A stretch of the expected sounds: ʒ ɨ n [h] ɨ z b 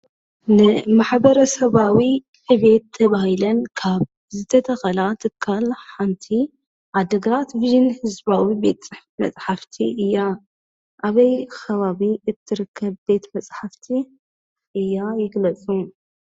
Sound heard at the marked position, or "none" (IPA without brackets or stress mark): h